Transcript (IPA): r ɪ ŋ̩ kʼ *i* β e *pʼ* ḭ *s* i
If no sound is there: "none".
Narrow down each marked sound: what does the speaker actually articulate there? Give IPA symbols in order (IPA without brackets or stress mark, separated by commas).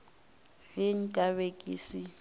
a, kʼ, s